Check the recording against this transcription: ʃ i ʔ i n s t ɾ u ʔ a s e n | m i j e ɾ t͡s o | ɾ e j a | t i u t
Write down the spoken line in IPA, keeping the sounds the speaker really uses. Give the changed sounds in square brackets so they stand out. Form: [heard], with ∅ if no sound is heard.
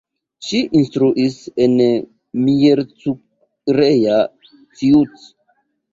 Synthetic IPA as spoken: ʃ i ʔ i n s t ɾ u ʔ [i] s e n | m i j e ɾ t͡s [u] | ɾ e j a | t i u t